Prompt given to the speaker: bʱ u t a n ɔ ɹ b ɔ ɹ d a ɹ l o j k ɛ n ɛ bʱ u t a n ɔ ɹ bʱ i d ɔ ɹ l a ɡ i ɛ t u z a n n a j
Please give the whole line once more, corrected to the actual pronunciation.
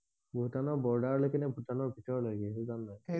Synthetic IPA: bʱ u t a n ɔ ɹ b ɔ ɹ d a ɹ l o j k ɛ n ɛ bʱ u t a n ɔ ɹ bʱ i t ɔ ɹ l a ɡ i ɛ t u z a n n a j